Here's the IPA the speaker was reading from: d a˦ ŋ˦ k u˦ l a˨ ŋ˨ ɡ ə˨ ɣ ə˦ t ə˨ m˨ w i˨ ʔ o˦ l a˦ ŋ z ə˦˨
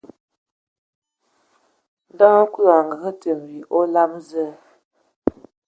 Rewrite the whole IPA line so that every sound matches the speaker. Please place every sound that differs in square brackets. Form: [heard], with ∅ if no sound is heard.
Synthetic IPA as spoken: d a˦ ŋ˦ k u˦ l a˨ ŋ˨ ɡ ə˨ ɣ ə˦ t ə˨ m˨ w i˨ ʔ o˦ l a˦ [m] z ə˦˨